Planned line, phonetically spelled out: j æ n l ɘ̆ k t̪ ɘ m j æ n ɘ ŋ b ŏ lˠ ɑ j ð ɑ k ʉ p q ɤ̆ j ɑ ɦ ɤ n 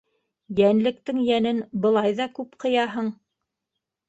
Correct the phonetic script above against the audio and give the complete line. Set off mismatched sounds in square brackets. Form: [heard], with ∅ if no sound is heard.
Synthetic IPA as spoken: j æ n l ɘ̆ k t̪ ɘ [ŋ] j æ n ɘ [n] b [ɤ̆] lˠ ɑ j ð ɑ k ʉ p q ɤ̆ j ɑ ɦ ɤ [ɴ]